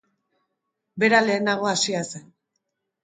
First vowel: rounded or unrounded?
unrounded